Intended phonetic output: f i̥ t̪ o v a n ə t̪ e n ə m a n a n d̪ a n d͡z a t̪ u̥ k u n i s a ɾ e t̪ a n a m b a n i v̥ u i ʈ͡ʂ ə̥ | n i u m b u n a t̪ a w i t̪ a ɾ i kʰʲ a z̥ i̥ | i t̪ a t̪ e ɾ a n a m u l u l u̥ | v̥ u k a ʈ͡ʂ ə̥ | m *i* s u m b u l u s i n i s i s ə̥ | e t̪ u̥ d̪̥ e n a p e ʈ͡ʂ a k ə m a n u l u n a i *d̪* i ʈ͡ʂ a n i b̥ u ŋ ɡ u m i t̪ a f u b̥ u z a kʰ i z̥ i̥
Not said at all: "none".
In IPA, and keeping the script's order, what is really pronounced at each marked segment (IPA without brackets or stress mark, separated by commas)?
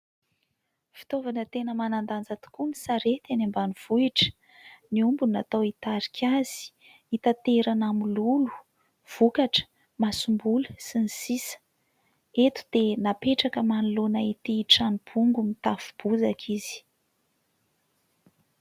a, t̪